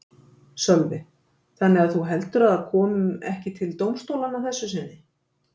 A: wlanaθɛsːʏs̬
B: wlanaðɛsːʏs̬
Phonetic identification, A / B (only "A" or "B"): A